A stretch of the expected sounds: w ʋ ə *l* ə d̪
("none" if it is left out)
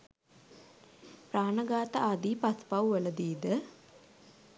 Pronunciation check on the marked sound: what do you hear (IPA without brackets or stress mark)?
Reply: l